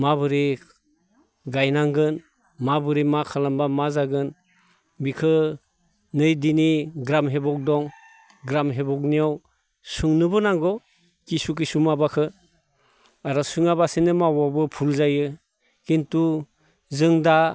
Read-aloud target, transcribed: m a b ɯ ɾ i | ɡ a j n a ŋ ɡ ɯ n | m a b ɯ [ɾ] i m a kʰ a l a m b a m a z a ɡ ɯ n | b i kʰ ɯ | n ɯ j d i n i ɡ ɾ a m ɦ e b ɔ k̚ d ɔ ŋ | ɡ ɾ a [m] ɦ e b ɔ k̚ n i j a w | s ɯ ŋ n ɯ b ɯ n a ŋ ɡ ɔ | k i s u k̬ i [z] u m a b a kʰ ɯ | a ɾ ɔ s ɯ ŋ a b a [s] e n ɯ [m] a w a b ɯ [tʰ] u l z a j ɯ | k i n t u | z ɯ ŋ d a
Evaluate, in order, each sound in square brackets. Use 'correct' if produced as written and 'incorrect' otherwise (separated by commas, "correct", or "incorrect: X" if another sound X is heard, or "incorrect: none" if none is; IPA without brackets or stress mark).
correct, correct, incorrect: s, correct, correct, incorrect: pʰ